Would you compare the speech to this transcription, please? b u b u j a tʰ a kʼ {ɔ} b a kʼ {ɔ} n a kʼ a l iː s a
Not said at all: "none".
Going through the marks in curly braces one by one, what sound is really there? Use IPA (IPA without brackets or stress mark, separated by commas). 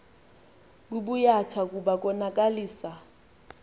u, ɔ